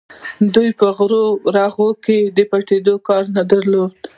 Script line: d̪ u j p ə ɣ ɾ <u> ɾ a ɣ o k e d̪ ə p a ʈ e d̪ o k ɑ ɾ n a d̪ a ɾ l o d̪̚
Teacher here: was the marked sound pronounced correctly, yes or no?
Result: no